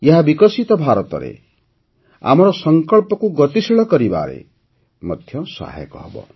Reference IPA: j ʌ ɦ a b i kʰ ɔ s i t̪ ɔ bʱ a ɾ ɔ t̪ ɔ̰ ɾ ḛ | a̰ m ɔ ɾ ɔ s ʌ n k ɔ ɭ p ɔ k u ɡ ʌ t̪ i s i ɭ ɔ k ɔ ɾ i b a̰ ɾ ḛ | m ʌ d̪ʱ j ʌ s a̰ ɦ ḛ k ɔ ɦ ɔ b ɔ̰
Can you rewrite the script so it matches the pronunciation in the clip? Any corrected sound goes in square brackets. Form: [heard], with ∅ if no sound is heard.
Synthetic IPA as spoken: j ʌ ɦ a b i [k] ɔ s i t̪ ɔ bʱ a ɾ ɔ t̪ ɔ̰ ɾ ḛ | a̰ m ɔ ɾ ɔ s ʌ [ŋ] k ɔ ɭ p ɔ k u ɡ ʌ t̪ i s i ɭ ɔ k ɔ ɾ i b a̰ ɾ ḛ | m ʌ d̪ʱ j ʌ s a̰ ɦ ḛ k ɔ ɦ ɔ b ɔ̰